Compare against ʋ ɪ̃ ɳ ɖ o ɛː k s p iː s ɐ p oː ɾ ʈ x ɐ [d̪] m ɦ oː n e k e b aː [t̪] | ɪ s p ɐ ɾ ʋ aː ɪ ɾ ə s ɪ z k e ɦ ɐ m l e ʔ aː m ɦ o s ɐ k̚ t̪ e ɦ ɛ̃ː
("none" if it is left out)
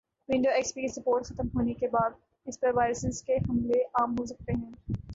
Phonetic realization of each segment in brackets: t̪, d̪

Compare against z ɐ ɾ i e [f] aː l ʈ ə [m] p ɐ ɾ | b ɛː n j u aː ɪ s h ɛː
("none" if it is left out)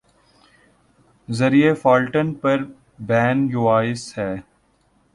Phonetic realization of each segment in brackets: f, n

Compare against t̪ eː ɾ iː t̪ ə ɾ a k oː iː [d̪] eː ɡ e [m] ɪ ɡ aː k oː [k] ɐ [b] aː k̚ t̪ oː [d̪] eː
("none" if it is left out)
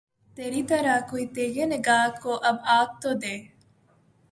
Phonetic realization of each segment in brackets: t̪, n, ʔ, b, d̪

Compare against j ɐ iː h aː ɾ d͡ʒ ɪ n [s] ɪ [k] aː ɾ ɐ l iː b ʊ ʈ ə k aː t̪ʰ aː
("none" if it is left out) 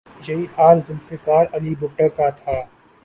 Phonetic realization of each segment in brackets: s, k

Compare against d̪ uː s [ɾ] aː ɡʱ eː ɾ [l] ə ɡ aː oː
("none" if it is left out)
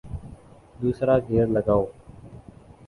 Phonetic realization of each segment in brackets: ɾ, l

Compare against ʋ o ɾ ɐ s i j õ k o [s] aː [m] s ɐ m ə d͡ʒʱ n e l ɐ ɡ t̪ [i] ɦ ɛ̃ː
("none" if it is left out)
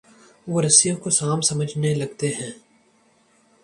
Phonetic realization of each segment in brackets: s, m, e

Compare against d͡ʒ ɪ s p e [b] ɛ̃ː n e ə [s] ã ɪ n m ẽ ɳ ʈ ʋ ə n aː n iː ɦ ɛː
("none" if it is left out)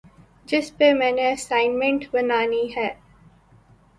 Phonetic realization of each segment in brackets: m, s

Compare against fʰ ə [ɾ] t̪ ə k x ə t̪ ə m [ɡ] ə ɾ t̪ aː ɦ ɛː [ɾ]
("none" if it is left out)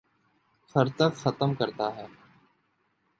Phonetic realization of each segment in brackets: ɾ, k, none

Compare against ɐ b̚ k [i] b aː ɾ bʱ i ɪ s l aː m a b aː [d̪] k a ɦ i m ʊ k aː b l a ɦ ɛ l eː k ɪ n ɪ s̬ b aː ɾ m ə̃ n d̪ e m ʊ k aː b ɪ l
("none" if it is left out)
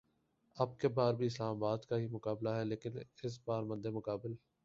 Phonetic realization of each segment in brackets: e, d̪

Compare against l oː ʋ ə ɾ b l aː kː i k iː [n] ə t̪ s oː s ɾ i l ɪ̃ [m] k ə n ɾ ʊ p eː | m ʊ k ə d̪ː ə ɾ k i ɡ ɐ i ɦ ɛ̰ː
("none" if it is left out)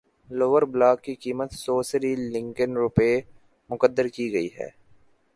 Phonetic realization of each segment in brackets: m, ŋ

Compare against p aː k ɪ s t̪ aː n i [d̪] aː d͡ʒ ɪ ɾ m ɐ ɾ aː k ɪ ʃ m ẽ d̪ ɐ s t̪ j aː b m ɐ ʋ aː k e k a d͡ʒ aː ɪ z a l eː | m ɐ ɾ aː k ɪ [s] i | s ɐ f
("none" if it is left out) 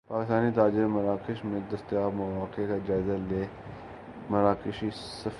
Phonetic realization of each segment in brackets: t̪, ʃ

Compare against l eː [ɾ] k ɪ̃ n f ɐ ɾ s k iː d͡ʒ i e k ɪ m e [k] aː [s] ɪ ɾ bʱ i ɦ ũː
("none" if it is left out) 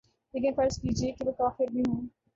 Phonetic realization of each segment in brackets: none, k, f

